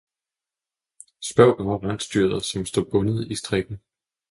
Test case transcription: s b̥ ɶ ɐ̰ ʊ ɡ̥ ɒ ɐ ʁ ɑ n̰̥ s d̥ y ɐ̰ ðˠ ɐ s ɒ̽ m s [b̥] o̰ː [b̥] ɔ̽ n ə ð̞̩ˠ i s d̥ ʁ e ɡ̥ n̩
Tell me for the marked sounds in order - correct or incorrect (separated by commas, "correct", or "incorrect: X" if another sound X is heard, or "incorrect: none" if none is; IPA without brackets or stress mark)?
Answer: incorrect: d̥, correct